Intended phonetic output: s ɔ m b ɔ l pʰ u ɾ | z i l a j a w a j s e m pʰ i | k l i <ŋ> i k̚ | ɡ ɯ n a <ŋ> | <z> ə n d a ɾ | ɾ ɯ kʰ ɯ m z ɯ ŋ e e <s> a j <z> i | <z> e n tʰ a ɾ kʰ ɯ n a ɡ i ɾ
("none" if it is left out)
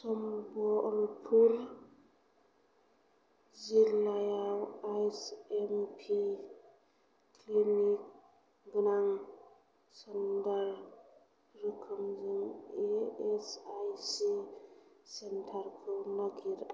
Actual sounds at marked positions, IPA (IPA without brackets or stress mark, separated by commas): n, ŋ, s, s, s, s